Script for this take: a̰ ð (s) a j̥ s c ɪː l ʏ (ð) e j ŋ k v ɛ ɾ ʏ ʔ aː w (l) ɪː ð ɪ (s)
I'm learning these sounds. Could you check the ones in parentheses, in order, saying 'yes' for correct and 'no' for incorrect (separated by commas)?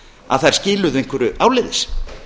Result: no, yes, yes, yes